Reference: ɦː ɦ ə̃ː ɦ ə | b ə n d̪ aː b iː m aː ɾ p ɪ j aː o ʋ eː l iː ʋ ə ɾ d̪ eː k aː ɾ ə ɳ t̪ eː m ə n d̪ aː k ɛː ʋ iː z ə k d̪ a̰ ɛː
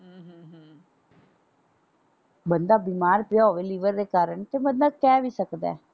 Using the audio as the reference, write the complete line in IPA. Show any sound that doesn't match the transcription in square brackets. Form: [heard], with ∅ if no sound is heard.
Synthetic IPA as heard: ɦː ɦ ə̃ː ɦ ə | b ə n d̪ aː b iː m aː ɾ p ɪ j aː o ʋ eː l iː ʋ ə ɾ d̪ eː k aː ɾ ə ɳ t̪ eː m ə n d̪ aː k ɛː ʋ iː [s] ə k d̪ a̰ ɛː